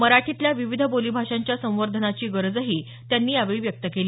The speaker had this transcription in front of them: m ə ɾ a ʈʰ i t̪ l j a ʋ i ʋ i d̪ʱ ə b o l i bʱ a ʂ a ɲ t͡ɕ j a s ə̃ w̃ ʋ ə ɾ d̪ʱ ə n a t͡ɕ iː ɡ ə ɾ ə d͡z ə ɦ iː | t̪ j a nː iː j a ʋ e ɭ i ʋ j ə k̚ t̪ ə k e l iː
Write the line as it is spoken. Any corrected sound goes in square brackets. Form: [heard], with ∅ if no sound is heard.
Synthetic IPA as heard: m ə ɾ a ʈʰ i t̪ l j a ʋ i ʋ i d̪ʱ ə b o l i bʱ a ʂ a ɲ t͡ɕ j a s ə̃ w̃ ʋ ə ɾ d̪ʱ ə n a t͡ɕ iː ɡ ə ɾ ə d͡z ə ɦ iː | t̪ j a nː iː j a ʋ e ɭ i ʋ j ə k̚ t̪ ə k e l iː